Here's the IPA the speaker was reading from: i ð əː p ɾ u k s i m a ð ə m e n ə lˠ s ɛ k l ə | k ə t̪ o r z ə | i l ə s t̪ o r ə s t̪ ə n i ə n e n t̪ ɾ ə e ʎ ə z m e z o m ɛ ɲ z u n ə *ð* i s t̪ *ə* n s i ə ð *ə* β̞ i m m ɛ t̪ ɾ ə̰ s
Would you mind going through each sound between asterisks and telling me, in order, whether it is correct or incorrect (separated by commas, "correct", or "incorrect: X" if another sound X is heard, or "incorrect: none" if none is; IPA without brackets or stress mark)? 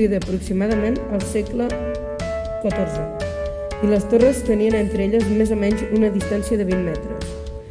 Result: correct, incorrect: a, correct